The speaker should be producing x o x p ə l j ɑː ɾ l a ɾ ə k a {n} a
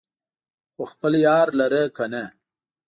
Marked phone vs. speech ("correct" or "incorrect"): correct